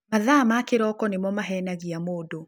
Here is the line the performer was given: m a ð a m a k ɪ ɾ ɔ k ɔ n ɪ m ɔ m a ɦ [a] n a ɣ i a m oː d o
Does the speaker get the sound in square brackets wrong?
yes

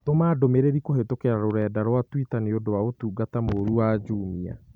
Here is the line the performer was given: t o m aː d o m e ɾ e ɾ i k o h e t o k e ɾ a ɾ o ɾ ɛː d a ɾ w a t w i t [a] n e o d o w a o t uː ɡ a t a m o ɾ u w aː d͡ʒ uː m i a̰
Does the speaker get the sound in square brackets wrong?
no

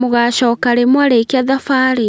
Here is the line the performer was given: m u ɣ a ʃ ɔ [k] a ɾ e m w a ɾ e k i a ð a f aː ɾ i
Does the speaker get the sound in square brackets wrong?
no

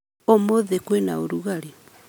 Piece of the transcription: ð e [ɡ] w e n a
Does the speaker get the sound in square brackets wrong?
yes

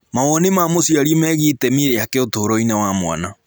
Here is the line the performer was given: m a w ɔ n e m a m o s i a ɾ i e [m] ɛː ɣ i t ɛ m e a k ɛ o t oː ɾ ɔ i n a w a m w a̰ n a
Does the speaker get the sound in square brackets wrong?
no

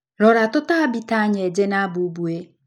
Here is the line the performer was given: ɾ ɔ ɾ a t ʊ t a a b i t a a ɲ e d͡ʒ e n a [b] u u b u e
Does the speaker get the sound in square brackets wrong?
no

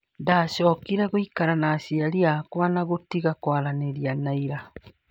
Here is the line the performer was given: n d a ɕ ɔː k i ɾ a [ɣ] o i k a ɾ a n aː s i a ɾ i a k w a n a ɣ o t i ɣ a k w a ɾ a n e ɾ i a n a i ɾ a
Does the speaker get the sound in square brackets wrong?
no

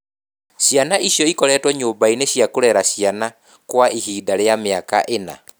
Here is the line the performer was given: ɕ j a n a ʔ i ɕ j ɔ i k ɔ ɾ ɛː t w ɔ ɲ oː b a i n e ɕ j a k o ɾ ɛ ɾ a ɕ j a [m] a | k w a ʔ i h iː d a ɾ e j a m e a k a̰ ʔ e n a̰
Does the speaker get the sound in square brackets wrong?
yes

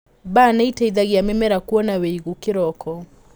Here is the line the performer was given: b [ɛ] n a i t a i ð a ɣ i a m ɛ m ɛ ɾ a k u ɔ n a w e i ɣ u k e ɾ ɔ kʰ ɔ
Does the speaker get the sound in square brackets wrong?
yes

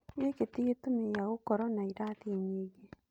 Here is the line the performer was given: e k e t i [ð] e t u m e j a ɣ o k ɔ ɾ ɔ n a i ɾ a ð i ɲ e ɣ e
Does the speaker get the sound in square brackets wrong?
yes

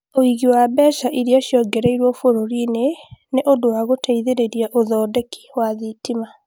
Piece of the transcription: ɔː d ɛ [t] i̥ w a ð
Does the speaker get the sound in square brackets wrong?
yes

